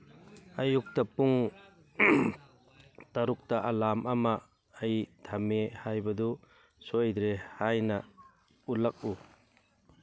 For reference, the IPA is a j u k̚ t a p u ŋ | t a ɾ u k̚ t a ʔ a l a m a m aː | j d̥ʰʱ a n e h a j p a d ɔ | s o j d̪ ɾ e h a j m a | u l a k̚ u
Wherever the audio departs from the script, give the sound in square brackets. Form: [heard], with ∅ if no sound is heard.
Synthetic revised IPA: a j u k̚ t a p u ŋ | t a ɾ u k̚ t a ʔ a l a m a m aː | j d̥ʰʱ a [m] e h a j [b] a d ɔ | s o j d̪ ɾ e h a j [n] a | u l a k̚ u